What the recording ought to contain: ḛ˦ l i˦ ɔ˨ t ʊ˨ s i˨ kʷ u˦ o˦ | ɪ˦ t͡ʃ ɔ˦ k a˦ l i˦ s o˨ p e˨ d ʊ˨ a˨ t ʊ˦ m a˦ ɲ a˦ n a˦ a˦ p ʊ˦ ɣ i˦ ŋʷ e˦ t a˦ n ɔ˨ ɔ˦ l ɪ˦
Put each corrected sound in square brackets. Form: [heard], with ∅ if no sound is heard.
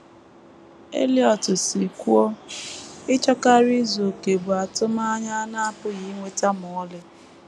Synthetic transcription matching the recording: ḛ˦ l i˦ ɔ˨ t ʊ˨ s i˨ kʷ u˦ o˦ | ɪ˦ t͡ʃ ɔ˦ k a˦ [ɾ] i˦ [z] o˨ [k] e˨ [b] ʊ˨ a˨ t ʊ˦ m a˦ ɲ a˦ n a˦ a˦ p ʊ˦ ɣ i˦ ŋʷ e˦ t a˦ [m] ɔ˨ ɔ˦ l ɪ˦